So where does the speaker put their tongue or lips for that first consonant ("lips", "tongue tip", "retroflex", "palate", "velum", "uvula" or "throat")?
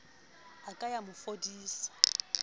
velum